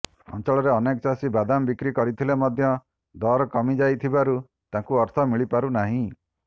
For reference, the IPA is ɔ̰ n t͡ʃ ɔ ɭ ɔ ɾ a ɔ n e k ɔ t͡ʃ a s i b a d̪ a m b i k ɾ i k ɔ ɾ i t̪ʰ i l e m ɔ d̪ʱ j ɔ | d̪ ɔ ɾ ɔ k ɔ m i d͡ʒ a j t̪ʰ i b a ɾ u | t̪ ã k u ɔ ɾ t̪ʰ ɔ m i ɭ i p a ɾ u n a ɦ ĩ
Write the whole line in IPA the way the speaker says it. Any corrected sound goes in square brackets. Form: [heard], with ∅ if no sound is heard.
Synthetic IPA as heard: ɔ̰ n t͡ʃ ɔ ɭ ɔ ɾ [e] ɔ n e k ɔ t͡ʃ a s i b a d̪ a m b i k ɾ i k ɔ ɾ i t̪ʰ i l e m ɔ d̪ʱ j ɔ | d̪ ɔ ɾ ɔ k ɔ m i d͡ʒ a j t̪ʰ i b a ɾ u | t̪ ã k u ɔ ɾ t̪ʰ ɔ m i ɭ i p a ɾ u n a ɦ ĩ